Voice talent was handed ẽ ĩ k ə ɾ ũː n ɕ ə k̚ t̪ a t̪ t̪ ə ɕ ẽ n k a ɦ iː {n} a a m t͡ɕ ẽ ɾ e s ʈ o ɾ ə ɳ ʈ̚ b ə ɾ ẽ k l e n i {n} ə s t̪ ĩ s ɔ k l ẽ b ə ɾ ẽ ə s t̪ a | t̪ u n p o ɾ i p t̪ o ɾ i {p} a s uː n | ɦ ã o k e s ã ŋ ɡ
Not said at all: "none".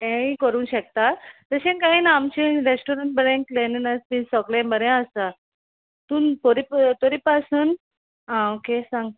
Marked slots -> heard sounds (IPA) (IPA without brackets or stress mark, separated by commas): n, n, p